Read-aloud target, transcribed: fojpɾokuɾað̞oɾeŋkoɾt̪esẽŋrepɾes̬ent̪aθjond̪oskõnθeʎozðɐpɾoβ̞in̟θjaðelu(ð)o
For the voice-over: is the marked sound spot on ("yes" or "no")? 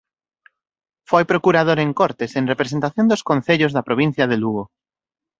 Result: no